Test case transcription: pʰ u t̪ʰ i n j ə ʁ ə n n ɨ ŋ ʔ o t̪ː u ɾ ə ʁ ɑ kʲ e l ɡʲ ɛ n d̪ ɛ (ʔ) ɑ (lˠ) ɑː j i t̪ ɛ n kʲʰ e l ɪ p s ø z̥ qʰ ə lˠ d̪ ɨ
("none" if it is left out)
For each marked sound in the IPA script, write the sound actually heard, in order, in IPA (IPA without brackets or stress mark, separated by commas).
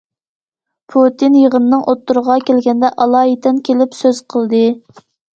ʔ, lˠ